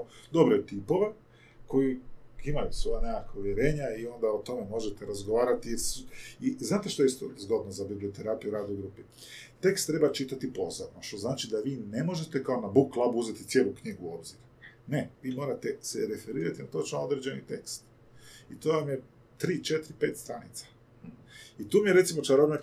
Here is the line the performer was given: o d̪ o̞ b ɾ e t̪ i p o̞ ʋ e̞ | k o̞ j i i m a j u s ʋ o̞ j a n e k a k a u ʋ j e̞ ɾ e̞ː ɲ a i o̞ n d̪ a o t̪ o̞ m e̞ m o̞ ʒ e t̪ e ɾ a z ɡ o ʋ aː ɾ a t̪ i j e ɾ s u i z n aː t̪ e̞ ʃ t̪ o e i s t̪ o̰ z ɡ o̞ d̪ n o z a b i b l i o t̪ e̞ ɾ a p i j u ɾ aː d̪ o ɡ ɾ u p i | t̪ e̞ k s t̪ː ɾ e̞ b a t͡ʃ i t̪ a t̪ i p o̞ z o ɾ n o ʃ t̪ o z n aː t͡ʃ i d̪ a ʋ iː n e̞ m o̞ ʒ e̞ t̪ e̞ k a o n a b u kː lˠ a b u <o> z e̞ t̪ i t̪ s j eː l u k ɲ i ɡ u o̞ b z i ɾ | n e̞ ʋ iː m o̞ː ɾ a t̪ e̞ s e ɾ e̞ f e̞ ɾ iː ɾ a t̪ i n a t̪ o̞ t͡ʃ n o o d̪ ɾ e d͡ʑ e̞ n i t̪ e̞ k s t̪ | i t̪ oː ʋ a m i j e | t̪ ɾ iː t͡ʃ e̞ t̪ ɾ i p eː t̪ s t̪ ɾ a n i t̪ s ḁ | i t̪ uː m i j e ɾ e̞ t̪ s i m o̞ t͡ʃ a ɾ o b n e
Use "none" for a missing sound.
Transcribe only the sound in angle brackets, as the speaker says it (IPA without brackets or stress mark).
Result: u